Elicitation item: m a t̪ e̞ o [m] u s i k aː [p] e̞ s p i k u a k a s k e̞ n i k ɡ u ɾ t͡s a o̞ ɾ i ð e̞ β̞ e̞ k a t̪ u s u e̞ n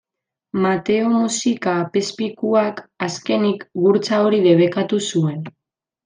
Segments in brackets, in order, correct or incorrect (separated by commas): correct, correct